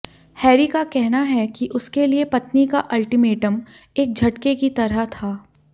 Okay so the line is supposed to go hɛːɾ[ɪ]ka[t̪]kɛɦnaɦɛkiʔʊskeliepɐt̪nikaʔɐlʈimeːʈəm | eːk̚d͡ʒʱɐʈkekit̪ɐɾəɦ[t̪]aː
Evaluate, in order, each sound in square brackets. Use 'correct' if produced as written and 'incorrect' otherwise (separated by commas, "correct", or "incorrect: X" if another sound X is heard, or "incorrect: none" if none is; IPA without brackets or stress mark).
incorrect: i, incorrect: none, incorrect: t̪ʰ